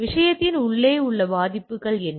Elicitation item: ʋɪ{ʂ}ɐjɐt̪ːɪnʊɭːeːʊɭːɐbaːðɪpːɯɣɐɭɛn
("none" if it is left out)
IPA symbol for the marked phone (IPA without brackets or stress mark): ʂ